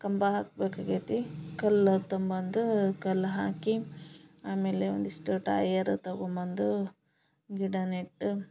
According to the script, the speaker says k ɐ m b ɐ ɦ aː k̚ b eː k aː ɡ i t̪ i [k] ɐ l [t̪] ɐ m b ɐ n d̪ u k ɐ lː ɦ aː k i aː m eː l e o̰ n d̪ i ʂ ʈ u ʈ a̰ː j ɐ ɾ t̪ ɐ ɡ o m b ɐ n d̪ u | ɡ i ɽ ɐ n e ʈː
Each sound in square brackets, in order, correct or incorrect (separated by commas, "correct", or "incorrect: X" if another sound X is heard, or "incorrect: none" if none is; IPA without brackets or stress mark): correct, correct